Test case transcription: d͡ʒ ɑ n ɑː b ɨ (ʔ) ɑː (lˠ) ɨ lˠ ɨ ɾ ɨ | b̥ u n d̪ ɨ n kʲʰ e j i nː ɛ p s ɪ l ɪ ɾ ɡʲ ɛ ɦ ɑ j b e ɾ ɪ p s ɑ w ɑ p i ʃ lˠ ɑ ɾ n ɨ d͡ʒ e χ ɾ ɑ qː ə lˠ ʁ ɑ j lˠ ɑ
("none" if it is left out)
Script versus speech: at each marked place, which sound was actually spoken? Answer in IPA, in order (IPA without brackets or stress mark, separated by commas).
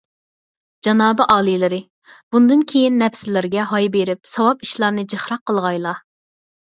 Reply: ʔ, lˠ